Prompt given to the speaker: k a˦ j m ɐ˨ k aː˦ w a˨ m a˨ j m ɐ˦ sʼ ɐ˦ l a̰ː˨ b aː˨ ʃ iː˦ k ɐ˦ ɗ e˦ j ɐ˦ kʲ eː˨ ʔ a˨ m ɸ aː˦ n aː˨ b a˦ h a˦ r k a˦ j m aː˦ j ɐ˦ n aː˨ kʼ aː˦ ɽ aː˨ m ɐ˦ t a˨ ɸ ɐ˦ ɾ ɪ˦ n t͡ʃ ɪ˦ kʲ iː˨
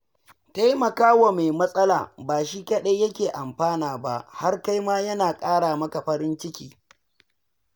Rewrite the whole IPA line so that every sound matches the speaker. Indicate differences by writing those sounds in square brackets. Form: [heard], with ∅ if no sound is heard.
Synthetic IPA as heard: [t] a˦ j m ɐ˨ k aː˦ w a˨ m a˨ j m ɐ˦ sʼ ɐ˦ l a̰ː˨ b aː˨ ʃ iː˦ k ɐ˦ ɗ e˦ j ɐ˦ kʲ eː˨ ʔ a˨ m ɸ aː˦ n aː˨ b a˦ h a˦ r k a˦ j m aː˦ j ɐ˦ n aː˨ kʼ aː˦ ɽ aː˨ m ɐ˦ [k] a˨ ɸ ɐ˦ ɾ ɪ˦ n t͡ʃ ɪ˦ kʲ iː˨